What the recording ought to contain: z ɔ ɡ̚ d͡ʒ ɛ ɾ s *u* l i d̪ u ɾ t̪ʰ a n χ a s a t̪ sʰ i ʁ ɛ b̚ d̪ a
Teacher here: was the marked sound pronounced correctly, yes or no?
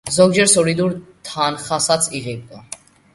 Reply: no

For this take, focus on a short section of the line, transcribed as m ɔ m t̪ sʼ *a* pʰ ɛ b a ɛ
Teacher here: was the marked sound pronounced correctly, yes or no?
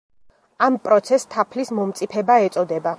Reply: no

